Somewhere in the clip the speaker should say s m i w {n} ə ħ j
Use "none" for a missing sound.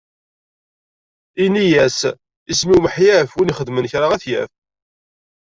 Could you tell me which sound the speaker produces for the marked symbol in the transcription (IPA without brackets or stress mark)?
m